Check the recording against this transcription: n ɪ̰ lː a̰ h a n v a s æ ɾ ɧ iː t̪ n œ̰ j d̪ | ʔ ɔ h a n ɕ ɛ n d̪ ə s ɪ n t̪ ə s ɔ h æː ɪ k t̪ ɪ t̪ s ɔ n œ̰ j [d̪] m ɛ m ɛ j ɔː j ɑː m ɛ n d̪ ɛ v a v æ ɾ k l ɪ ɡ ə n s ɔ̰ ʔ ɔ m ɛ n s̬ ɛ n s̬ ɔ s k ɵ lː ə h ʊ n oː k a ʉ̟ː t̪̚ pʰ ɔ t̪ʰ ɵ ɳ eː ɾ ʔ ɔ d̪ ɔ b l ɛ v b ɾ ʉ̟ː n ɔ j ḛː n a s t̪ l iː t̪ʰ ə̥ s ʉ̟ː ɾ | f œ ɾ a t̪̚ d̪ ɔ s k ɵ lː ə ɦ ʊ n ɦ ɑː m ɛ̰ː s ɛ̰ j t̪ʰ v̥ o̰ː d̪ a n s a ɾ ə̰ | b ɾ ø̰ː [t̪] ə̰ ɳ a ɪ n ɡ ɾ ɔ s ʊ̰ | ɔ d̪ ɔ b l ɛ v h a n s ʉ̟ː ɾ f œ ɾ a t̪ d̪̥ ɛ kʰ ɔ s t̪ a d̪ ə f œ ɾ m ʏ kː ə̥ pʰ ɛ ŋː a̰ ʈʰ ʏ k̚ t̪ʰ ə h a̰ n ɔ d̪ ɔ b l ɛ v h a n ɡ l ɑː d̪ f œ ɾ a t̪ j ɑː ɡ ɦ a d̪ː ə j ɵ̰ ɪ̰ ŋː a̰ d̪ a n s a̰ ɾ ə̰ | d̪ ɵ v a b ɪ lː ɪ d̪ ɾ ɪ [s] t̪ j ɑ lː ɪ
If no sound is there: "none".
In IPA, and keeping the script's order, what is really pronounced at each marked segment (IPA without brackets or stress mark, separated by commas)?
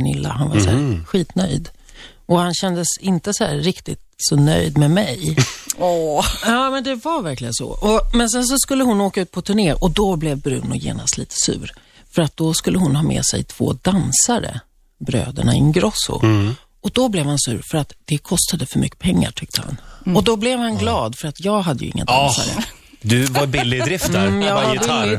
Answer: d̪, d̪, f